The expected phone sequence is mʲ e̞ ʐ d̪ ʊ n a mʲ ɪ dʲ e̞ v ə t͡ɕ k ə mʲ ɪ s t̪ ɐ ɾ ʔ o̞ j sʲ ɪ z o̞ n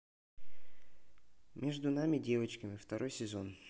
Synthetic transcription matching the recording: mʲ e̞ ʐ d̪ ʊ n a mʲ ɪ dʲ e̞ v ə t͡ɕ k ə mʲ ɪ f t̪ ɐ ɾ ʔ o̞ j sʲ ɪ z o̞ n